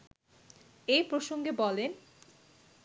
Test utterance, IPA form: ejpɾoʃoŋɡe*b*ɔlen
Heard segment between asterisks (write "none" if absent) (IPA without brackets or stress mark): b